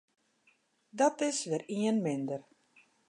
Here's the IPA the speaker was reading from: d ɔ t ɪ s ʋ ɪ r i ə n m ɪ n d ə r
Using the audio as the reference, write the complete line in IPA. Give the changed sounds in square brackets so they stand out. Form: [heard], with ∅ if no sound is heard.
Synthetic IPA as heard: d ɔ t ɪ s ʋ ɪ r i ə n m ɪ n d ə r

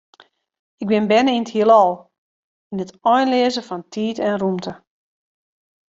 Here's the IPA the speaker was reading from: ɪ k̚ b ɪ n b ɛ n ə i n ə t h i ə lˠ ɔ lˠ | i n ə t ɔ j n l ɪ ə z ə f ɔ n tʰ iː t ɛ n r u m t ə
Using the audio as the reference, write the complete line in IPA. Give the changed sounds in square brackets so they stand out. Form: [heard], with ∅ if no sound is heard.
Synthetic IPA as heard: ɪ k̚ b ɪ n b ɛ n ə i n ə t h i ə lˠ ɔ lˠ | i n ə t ɔ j n l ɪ ə z ə f ɔ n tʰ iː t ɛ n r u m t ə

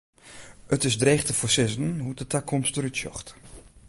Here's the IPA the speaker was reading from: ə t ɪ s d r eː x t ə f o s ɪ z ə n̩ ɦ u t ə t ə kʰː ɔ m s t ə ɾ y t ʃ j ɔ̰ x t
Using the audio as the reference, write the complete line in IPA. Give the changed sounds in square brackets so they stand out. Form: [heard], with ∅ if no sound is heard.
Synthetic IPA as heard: ə t ɪ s d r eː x t ə f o s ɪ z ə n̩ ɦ u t ə t [a] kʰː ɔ m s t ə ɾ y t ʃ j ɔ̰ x t

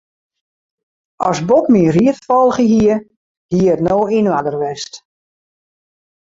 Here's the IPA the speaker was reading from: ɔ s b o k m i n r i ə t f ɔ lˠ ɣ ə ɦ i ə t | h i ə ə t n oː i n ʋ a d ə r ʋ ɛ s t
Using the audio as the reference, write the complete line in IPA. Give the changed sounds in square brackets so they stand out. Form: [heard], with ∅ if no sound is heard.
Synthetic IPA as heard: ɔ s b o k m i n r i ə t f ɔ lˠ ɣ ə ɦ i ə [∅] | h i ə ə t n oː i n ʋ a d ə r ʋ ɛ s t

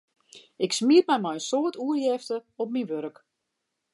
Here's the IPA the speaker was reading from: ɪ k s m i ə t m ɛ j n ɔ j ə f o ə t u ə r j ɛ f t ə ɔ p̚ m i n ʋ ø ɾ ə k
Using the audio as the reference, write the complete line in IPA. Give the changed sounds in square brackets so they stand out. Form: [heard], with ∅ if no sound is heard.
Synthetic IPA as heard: ɪ k s m i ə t m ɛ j [m] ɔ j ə [s] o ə t u ə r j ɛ f t ə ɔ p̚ m i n ʋ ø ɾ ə k

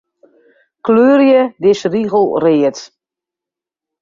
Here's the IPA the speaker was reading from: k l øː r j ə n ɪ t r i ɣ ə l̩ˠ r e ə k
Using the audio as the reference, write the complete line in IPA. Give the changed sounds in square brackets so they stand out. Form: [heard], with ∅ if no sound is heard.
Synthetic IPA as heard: k l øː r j ə [d] ɪ [s] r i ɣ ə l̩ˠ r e ə [t]

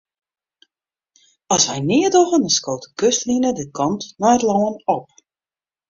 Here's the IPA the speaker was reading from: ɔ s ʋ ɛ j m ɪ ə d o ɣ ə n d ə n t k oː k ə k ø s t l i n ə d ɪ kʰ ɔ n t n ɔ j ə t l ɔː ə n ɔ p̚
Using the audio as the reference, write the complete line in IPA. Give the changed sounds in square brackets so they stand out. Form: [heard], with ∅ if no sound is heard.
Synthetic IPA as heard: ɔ s ʋ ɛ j [n] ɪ ə d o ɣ ə n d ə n [s] k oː [t] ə k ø s t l i n ə d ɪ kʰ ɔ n t n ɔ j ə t l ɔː ə n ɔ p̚

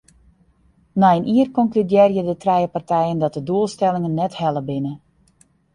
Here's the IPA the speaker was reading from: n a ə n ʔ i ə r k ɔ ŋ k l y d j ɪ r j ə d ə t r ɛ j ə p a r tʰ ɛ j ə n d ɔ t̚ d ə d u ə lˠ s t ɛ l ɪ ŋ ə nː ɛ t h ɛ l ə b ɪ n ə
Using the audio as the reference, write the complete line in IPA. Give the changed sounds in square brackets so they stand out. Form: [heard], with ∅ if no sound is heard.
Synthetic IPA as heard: n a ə n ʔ i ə r k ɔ ŋ k l y d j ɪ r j ə d ə t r ɛ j ə p a r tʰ ɛ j ə n d ɔ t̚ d ə d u ə lˠ s t ɛ l ɪ ŋ ə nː ɛ t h ɛ l ə b ɪ n ə

